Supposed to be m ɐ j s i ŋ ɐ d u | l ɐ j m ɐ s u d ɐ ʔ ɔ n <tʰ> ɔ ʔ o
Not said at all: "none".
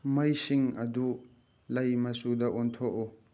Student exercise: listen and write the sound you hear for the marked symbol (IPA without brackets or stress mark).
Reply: tʰ